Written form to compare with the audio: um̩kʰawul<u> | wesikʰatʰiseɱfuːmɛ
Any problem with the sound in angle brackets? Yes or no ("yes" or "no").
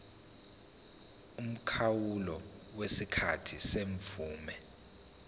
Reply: yes